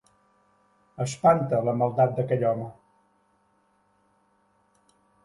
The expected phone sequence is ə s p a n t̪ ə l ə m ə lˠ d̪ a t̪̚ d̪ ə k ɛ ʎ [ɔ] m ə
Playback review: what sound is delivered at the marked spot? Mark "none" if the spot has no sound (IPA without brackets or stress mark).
ɔ